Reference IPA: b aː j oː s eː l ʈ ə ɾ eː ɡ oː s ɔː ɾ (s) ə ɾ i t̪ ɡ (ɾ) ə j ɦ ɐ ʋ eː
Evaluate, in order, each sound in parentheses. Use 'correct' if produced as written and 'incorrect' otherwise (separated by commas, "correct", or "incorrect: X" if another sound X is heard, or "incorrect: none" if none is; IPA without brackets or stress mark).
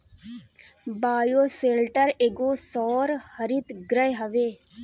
incorrect: h, correct